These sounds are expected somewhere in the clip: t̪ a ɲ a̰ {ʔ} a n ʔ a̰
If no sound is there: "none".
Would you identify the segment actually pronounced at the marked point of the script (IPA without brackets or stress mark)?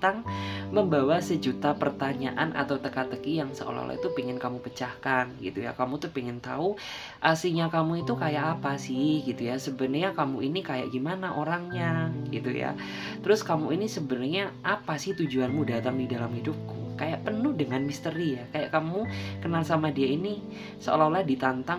ʔ